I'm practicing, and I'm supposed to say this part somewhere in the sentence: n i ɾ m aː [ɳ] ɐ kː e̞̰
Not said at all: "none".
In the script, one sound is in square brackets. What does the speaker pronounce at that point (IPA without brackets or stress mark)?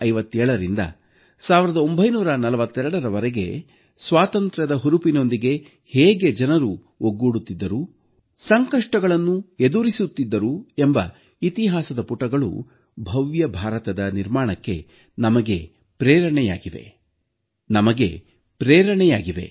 ɳ